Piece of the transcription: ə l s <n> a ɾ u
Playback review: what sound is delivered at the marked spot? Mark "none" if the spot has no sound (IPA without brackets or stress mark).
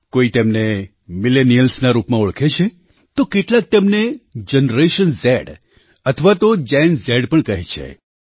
n